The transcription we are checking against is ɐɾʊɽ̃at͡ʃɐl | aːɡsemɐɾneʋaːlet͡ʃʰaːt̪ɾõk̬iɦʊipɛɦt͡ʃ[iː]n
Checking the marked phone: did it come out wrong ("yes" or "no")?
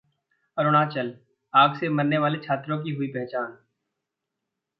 yes